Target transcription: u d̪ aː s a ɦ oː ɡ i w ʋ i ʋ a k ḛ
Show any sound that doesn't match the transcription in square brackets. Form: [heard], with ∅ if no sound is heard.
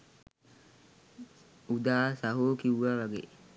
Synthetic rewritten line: u d̪ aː s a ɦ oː [k] i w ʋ [a] ʋ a [ɡ] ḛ